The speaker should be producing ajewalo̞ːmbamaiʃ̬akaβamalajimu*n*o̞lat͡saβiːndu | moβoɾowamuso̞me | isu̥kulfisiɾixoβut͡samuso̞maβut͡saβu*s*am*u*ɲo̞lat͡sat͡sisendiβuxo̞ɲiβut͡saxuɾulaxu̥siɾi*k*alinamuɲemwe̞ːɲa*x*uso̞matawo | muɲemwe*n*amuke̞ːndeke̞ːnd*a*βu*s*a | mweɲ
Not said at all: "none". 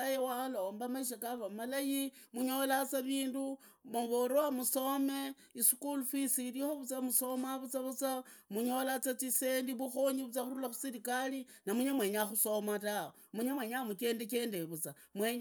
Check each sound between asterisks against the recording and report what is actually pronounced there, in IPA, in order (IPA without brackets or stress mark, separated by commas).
ɲ, t͡s, u, k, x, ɲ, e, t͡s